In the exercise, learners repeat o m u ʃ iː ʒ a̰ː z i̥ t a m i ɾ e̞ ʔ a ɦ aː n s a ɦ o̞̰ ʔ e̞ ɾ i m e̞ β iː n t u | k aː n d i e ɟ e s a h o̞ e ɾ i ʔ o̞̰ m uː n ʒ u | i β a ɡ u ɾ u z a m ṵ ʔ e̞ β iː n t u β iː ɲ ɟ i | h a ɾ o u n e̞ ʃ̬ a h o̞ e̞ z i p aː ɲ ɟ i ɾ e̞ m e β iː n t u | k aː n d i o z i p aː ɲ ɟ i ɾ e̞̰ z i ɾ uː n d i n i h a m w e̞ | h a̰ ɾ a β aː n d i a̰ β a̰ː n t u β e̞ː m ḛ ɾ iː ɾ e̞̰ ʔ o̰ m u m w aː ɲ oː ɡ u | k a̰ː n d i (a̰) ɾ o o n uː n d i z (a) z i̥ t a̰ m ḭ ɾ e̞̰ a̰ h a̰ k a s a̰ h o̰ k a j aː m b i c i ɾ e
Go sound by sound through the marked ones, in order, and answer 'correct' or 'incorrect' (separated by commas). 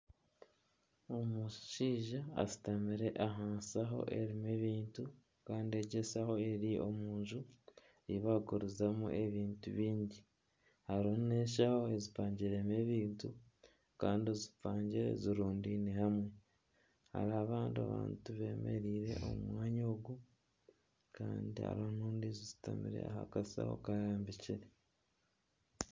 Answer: correct, incorrect